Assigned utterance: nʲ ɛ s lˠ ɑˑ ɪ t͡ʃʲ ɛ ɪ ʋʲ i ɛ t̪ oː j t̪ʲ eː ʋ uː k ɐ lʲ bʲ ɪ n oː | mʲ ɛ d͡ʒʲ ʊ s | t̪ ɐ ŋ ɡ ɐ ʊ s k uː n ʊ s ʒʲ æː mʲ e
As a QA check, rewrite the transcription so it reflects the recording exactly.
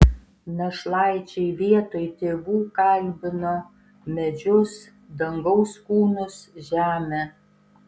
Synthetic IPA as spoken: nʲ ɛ ʃ lˠ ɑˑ ɪ t͡ʃʲ ɛ ɪ ʋʲ i ɛ t̪ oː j t̪ʲ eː ʋ uː k ɐ lʲ bʲ ɪ n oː | mʲ ɛ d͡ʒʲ ʊ s | d̪ ɐ ŋ ɡ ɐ ʊ s k uː n ʊ s ʒʲ æː mʲ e